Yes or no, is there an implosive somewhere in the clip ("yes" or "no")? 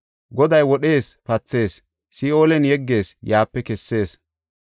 yes